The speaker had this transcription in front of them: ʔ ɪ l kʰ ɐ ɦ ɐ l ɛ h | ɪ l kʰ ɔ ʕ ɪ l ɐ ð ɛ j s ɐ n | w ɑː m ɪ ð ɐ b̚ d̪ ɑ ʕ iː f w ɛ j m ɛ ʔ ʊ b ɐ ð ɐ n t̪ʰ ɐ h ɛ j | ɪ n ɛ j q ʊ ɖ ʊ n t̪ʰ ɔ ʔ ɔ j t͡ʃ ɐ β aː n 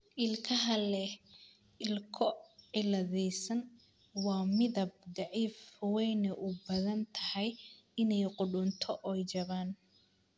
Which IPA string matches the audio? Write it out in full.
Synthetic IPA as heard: ʔ ɪ l kʰ ɐ ɦ ɐ l ɛ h | ɪ l kʰ ɔ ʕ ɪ l ɐ ð ɛ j s ɐ n | w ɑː m ɪ ð ɐ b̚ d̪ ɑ ʕ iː f w ɛ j n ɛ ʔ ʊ b ɐ ð ɐ n t̪ʰ ɐ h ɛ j | ɪ n ɛ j q ʊ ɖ ʊ n t̪ʰ ɔ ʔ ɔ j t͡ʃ ɐ β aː n

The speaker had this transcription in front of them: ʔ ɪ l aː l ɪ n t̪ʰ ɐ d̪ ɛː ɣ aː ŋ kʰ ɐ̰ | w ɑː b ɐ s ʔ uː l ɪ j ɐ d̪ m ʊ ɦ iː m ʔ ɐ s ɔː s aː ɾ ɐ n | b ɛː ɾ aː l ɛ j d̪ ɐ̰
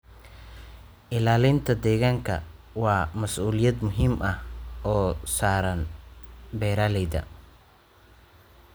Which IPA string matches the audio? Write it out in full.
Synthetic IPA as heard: ʔ ɪ l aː l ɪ n t̪ʰ ɐ d̪ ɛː ɣ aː ŋ kʰ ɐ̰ | w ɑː m ɐ s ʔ uː l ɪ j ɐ d̪ m ʊ ɦ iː m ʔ ɐ h ɔː s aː ɾ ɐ n | b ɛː ɾ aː l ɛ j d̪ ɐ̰

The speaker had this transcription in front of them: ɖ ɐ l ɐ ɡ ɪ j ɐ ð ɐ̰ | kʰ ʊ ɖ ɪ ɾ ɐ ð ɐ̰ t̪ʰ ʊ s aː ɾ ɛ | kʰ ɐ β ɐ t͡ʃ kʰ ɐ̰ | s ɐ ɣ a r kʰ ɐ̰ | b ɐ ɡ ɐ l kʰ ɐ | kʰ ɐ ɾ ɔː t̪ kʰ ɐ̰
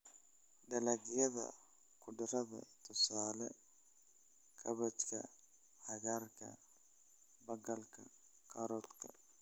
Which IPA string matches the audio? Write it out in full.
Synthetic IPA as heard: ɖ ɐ l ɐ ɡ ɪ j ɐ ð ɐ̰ | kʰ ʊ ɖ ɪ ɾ ɐ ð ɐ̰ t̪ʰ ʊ s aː l ɛ | kʰ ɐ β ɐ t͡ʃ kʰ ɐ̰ | h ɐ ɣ a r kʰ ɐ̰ | b ɐ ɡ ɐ l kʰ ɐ | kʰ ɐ ɾ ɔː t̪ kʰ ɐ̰

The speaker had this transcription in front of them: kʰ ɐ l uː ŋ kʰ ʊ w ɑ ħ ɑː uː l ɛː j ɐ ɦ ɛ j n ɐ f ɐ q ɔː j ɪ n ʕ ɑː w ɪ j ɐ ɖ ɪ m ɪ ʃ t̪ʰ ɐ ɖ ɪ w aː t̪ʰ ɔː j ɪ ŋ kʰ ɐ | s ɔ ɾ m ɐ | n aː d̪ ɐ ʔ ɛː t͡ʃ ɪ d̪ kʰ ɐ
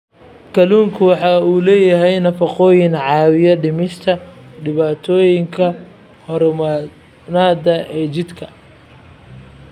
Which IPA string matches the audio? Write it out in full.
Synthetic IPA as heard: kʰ ɐ l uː ŋ kʰ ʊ w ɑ ħ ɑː uː l ɛː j ɐ ɦ ɛ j n ɐ f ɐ q ɔː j ɪ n ʕ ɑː w ɪ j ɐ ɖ ɪ m ɪ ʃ t̪ʰ ɐ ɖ ɪ β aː t̪ʰ ɔː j ɪ ŋ kʰ ɐ | h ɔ ɾ m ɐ | n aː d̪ ɐ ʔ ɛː t͡ʃ ɪ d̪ kʰ ɐ

